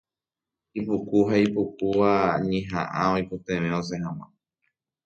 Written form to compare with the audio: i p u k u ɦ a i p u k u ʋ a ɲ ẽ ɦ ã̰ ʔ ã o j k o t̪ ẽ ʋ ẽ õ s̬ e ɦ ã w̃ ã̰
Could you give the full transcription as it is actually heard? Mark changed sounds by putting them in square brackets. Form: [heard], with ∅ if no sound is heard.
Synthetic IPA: i p u k u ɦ a i p u k u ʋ a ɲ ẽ ɦ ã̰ ʔ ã o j [p] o t̪ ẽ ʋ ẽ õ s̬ e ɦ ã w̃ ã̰